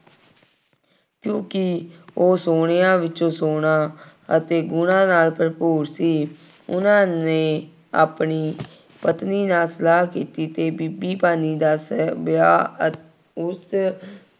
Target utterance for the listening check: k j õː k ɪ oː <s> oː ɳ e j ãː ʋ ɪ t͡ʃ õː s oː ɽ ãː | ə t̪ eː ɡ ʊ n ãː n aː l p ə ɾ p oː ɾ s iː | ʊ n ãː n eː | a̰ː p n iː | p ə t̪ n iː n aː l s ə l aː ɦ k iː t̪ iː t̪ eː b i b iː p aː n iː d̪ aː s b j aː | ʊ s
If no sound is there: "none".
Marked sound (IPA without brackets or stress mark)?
s